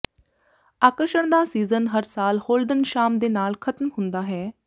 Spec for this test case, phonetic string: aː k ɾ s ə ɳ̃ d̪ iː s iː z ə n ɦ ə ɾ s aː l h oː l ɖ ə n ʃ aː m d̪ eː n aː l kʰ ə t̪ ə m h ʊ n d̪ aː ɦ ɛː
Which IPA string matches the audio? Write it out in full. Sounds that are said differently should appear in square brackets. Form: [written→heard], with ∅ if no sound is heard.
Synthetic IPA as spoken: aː k ɾ [s→ʃ] ə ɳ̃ d̪ [iː→aː] s iː z ə n ɦ ə ɾ s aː l h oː l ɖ ə n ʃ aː m d̪ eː n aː l kʰ ə t̪ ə m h ʊ n d̪ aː ɦ ɛː